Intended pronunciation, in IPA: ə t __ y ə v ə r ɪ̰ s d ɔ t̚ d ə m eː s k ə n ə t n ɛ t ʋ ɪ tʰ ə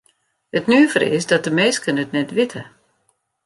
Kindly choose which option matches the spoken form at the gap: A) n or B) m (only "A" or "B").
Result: A